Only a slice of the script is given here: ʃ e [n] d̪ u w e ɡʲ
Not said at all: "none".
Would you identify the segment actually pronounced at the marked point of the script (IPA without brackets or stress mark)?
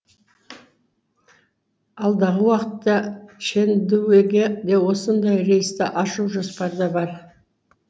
n